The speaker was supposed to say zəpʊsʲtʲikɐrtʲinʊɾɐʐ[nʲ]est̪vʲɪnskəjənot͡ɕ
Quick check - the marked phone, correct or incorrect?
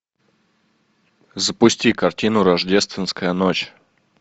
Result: incorrect